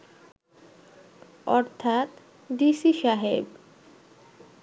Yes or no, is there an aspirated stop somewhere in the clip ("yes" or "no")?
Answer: yes